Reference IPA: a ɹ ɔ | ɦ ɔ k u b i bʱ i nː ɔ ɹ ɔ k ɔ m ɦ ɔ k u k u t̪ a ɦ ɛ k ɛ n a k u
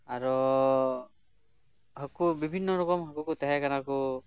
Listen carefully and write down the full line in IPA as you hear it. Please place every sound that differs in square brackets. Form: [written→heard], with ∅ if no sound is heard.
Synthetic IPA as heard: a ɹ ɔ | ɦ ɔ k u b i bʱ i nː ɔ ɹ ɔ k ɔ m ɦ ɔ k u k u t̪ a ɦ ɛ k [ɛ→a] n a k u